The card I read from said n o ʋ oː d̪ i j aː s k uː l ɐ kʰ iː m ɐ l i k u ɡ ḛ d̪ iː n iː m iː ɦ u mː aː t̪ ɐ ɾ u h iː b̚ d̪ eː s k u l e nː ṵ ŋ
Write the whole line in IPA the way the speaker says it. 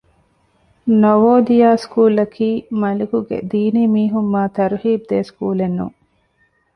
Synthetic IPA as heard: n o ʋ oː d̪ i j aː s k uː l ɐ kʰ iː m ɐ l i k u ɡ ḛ d̪ iː n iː m iː ɦ u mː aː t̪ ɐ ɾ u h iː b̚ d̪ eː s k uː l e nː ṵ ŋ